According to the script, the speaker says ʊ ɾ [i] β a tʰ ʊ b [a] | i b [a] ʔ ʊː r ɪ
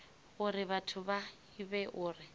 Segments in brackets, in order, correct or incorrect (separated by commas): incorrect, correct, incorrect